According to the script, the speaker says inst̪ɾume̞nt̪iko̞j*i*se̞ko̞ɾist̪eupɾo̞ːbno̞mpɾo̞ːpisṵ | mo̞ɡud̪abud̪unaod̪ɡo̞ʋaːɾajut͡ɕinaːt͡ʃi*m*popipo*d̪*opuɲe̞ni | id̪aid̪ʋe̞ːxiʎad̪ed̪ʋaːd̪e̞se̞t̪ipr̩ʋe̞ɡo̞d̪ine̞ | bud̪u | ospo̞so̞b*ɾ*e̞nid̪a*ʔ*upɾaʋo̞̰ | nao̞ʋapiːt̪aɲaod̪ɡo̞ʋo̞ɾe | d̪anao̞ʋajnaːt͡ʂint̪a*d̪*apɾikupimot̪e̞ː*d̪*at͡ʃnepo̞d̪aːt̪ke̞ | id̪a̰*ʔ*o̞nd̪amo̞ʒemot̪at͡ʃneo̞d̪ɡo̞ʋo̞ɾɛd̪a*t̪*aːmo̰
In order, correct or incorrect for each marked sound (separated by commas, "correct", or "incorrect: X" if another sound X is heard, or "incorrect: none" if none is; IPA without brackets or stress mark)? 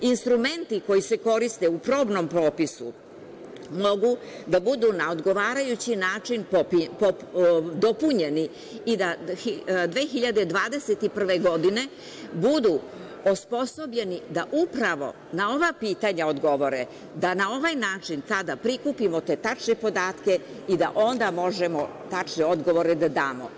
correct, incorrect: n, correct, incorrect: ʎ, correct, correct, incorrect: t̪, correct, incorrect: d̪